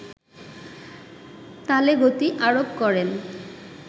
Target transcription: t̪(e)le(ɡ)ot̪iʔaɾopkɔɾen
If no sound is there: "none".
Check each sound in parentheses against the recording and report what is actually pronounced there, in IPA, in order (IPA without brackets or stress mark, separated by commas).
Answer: a, ɡ